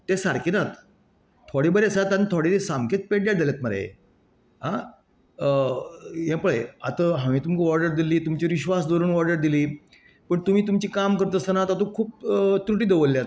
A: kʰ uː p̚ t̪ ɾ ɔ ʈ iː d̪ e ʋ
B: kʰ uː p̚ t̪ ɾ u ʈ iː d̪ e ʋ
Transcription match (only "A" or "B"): B